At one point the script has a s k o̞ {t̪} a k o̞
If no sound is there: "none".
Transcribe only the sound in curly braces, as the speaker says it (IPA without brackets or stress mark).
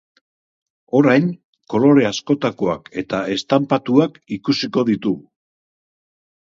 t̪